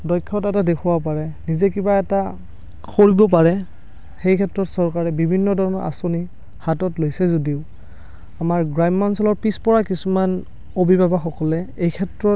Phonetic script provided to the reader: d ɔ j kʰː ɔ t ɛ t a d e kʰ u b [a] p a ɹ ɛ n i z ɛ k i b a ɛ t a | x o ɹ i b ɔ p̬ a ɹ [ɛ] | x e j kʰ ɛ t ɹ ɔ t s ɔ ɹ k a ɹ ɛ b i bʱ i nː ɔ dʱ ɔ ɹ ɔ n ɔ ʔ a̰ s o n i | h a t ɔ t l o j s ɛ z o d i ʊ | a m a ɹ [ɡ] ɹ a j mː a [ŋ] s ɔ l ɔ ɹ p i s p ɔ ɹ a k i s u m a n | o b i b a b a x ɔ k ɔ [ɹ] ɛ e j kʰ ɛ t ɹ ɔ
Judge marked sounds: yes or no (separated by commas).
yes, yes, yes, no, no